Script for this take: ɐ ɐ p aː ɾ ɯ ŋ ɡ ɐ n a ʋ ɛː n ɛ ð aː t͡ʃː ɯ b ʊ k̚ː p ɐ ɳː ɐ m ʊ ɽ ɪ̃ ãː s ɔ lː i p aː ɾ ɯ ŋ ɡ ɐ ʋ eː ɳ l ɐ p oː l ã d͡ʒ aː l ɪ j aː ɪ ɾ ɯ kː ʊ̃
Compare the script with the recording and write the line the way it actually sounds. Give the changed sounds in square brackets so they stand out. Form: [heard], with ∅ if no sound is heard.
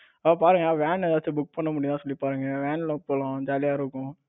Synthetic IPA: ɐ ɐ p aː ɾ ɯ ŋ ɡ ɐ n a ʋ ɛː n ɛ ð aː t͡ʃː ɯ b ʊ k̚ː p ɐ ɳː ɐ m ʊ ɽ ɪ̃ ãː s ɔ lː i p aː ɾ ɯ ŋ ɡ ɐ ʋ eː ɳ l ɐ p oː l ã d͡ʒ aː l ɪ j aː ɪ ɾ ɯ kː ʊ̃